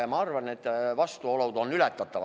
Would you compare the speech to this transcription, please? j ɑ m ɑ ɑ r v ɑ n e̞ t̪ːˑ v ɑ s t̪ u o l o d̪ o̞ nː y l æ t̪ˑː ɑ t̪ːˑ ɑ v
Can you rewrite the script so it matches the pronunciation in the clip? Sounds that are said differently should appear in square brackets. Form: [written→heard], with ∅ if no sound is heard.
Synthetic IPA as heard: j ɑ m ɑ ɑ r v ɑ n e̞ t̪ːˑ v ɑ s t̪ u o l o d̪ o̞ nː y l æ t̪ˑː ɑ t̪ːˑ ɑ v